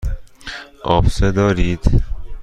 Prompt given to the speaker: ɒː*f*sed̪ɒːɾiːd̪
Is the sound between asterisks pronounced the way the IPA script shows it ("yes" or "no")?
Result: yes